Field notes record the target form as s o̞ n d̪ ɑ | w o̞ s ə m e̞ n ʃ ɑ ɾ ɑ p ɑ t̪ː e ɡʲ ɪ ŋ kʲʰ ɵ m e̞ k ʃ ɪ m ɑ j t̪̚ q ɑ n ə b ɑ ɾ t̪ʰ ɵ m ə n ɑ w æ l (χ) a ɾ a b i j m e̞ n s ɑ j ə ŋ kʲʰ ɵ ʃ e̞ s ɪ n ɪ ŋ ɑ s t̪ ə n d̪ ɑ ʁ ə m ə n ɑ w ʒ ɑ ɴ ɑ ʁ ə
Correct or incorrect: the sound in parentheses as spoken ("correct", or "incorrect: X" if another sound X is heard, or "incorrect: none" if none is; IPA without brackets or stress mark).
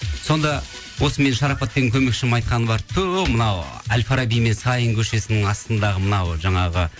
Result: incorrect: f